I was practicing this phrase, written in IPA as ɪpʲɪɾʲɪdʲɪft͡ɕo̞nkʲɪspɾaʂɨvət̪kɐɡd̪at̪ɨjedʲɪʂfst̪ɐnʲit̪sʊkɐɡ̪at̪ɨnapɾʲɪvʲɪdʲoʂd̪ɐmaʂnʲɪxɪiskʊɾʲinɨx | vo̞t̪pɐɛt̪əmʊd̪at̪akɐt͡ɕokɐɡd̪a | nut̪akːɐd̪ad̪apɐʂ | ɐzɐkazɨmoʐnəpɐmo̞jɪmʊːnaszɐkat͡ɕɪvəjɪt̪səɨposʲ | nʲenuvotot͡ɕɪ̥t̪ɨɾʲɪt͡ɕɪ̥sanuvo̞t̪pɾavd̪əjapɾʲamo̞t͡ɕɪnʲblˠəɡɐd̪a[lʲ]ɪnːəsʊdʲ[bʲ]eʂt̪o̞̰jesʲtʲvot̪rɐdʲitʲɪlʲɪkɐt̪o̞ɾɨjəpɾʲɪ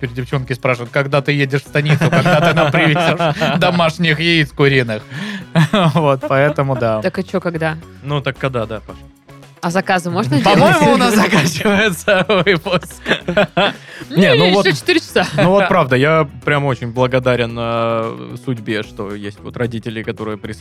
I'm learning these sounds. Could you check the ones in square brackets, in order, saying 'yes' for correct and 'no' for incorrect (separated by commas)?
no, yes